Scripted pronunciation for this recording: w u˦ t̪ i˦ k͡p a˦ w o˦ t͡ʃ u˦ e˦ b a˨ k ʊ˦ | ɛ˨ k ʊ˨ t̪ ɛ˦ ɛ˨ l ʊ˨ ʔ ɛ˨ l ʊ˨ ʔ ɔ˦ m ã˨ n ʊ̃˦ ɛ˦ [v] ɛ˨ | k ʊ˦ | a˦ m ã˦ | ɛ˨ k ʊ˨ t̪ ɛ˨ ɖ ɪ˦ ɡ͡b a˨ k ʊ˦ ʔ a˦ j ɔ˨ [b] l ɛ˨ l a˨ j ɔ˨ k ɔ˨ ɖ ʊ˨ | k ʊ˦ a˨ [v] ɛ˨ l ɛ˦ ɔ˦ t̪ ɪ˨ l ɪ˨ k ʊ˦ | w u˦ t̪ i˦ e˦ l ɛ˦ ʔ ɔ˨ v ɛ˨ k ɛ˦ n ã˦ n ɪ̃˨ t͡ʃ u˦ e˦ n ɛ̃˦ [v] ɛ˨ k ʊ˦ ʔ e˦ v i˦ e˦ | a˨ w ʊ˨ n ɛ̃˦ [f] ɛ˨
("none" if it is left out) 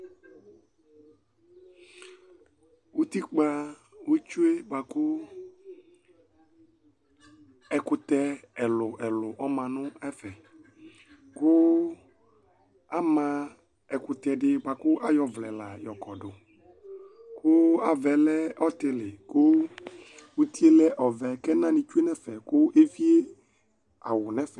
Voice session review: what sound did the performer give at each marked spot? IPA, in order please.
f, v, v, f, f

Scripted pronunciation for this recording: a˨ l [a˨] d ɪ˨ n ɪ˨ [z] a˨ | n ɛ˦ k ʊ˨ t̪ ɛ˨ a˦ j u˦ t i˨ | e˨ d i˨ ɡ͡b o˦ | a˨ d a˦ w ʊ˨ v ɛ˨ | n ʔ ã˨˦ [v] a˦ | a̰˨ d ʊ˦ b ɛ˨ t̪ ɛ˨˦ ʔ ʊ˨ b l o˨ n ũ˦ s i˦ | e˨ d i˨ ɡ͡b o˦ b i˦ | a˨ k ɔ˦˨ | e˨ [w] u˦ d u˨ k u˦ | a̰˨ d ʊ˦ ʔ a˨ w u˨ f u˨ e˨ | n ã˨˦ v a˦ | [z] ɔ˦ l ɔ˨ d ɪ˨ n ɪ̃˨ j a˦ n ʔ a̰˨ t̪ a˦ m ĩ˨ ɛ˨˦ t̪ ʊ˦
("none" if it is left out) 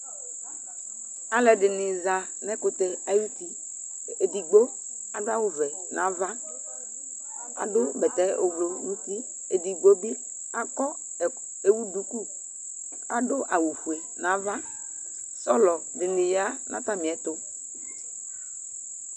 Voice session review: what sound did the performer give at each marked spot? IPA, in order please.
ɛ˨, z, v, w, s

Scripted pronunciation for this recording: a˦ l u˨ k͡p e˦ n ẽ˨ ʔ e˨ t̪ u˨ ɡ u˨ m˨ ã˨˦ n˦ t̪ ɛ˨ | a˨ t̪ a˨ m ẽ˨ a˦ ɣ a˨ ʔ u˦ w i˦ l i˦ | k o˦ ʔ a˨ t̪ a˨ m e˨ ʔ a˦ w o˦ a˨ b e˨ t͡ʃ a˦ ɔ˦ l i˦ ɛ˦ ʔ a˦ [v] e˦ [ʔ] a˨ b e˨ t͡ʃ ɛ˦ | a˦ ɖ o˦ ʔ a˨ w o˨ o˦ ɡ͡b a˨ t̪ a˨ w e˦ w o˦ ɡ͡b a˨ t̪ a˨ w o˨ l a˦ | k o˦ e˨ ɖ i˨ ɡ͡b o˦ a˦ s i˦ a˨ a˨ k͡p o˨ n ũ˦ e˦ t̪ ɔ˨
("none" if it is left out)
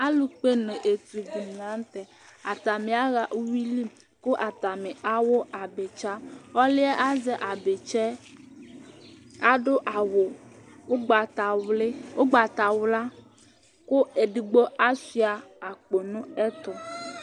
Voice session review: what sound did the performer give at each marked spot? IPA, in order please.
z, ʔ

